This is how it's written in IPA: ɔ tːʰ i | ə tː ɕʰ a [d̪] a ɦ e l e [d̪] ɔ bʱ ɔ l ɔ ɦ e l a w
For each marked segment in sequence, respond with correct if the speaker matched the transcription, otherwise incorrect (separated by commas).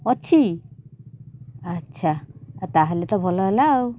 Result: incorrect, incorrect